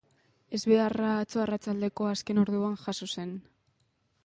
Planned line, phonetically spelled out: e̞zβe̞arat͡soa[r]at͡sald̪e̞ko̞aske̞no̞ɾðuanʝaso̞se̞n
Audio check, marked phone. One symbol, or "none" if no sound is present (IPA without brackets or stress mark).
r